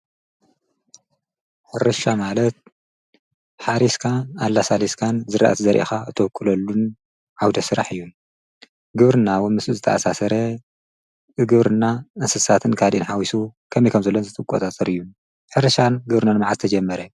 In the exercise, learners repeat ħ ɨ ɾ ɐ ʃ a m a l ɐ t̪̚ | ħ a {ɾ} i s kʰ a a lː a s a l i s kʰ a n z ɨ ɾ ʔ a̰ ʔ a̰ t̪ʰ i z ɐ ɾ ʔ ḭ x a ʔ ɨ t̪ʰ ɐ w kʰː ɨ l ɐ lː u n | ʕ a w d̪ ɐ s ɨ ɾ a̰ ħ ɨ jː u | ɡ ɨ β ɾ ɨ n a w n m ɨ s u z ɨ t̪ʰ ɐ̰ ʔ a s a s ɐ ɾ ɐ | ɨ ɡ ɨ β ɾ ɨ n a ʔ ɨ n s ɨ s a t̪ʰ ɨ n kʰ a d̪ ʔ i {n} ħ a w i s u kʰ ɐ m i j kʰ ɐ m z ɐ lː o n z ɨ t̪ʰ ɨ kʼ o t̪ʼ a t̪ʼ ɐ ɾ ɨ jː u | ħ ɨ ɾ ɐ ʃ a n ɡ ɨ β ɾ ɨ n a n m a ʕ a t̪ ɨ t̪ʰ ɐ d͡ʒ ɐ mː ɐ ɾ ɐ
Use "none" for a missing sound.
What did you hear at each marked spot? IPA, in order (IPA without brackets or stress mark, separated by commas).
ɾ, n